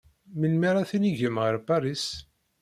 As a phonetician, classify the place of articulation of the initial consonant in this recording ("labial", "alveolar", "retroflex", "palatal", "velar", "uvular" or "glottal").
labial